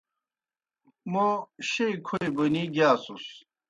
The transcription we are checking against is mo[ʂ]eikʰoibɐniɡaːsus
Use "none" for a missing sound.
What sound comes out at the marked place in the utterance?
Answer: ɕ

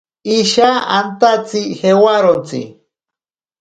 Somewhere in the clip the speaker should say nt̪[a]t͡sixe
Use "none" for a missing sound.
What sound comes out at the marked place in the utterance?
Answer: a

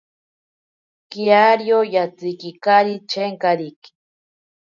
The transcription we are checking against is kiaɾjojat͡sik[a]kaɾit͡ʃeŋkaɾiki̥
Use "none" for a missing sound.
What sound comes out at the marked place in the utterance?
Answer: i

